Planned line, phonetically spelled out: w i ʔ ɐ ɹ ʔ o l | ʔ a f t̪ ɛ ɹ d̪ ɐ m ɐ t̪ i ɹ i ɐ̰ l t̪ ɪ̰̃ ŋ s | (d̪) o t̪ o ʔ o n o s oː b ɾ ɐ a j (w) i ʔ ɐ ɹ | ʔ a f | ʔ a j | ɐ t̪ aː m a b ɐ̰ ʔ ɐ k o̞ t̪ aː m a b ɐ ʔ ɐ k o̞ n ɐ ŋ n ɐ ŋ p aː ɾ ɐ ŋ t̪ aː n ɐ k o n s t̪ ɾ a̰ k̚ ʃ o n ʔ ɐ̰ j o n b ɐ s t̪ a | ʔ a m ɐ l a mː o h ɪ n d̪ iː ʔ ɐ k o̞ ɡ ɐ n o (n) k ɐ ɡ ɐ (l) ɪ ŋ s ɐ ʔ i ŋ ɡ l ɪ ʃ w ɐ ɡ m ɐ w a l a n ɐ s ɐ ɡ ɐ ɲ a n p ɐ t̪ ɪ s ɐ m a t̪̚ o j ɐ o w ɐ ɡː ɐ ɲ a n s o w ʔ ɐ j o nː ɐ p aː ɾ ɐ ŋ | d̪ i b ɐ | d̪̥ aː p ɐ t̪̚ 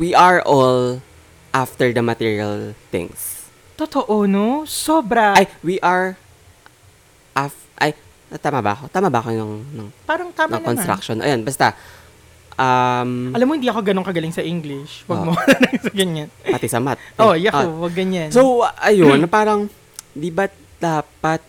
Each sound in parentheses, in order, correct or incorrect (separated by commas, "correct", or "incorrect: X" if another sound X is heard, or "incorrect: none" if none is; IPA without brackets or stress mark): incorrect: t̪, correct, incorrect: ŋ, correct